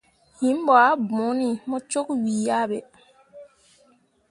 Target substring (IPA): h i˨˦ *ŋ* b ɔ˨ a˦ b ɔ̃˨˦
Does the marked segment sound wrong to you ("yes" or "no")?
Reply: yes